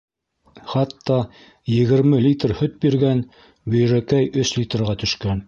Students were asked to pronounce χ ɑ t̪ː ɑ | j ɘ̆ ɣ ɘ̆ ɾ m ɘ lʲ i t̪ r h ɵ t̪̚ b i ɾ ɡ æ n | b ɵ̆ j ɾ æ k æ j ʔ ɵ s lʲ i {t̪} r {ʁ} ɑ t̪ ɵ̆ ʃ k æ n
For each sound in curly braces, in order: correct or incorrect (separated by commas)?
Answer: correct, correct